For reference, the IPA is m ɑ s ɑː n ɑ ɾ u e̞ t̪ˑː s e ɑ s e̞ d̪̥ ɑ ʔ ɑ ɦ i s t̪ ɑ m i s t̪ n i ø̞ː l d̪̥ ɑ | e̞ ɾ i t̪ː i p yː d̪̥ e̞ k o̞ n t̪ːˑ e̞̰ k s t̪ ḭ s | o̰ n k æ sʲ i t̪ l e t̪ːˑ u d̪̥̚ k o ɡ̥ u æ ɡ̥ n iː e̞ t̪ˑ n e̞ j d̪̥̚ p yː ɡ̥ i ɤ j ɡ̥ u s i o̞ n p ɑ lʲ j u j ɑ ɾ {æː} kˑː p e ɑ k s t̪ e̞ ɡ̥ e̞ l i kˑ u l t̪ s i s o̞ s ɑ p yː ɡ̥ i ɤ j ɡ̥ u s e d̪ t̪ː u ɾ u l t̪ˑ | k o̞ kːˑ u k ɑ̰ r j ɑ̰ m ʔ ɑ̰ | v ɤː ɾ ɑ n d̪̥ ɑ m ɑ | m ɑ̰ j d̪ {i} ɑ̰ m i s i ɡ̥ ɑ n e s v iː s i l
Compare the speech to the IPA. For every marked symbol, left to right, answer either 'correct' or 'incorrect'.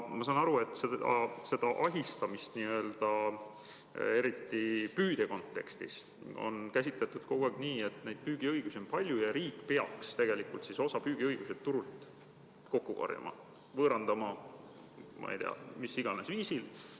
incorrect: iː, incorrect: e

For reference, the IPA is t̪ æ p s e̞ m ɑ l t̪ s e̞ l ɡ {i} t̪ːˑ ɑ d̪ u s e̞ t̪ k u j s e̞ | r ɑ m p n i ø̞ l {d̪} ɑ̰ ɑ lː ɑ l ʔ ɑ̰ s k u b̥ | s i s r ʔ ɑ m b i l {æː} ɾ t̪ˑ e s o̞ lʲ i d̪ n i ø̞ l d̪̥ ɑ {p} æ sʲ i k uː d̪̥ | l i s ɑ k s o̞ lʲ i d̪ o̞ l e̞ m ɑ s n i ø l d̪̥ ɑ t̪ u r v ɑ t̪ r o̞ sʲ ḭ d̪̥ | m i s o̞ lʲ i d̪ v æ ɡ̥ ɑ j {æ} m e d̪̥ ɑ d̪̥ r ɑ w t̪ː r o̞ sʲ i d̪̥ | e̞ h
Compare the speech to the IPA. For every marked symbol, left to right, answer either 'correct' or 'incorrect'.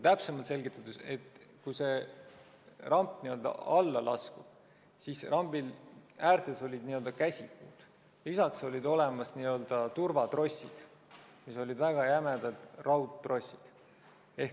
correct, correct, correct, incorrect: k, correct

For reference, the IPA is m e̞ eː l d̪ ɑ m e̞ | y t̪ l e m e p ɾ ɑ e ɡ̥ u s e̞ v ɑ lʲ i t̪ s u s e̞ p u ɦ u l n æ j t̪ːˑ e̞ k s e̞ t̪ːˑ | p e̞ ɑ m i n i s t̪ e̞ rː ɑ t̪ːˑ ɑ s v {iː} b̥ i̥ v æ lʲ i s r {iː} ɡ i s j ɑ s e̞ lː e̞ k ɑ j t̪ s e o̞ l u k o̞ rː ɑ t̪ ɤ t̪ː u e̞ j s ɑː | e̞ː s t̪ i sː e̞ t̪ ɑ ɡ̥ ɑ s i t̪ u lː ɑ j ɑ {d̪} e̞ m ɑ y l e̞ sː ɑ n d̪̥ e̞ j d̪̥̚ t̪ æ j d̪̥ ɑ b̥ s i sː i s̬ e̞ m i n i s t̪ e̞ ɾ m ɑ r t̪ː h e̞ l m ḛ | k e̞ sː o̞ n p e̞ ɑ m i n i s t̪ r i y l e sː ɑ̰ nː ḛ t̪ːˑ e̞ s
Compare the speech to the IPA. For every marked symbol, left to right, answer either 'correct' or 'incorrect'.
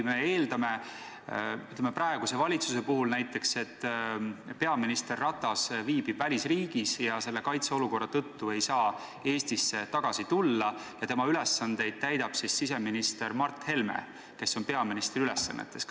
correct, correct, incorrect: t̪

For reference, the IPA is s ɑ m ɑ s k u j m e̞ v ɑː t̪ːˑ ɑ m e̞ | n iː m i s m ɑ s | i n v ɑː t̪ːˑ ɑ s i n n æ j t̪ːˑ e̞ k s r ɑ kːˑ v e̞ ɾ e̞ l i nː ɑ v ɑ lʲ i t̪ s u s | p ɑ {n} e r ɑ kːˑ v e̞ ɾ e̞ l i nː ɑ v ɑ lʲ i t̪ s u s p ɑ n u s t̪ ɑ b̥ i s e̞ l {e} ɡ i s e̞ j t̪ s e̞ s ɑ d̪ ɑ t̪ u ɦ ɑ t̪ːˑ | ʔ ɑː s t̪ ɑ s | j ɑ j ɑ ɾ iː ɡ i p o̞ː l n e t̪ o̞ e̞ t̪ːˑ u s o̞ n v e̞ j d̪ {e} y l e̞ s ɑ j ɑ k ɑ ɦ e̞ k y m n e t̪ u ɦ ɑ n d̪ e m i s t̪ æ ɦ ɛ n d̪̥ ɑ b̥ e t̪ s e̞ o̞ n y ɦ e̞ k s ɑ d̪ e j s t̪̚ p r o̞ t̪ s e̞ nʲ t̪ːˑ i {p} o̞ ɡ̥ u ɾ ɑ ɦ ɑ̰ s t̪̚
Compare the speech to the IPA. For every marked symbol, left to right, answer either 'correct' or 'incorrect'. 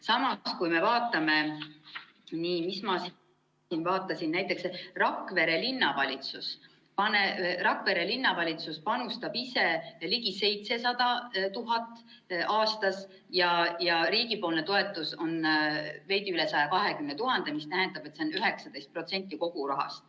correct, incorrect: i, incorrect: i, incorrect: k

